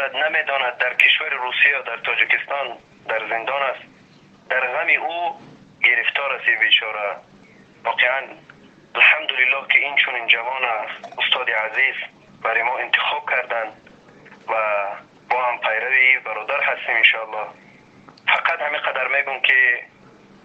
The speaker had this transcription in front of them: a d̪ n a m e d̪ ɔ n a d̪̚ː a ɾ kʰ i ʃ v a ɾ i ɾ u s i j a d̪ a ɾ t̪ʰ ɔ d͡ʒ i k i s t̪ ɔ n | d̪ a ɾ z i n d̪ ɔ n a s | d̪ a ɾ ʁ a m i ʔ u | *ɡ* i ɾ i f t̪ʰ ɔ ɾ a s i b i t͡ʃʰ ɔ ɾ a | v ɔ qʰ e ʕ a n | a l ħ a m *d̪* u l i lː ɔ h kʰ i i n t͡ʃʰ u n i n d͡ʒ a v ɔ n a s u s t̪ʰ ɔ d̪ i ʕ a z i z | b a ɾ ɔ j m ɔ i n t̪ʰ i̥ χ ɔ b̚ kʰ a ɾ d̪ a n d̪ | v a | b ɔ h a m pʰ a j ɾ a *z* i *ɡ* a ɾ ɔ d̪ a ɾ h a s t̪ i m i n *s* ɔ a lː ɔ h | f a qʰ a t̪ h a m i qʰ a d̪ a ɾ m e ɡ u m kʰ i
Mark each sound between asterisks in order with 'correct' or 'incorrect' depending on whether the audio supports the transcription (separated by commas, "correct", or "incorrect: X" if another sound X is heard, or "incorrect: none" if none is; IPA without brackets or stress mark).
correct, correct, incorrect: v, incorrect: b, incorrect: ʃ